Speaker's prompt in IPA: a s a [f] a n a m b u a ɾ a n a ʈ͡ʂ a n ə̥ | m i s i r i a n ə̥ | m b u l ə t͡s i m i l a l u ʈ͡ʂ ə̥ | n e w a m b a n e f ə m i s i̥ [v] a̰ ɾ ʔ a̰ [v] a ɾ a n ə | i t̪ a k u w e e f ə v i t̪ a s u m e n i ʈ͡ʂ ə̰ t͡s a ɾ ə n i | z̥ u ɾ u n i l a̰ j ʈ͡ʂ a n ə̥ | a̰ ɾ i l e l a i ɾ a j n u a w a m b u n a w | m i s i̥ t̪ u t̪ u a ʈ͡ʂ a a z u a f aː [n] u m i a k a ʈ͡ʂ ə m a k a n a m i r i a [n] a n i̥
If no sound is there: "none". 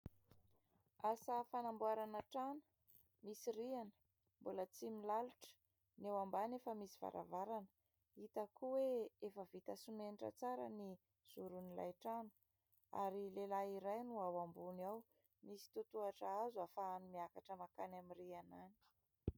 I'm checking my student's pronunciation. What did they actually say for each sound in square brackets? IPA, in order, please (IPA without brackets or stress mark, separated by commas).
f, v, v, n, n